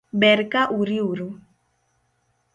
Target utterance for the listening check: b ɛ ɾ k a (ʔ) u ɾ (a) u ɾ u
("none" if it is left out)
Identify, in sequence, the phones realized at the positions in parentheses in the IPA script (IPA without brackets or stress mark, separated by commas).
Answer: ʔ, i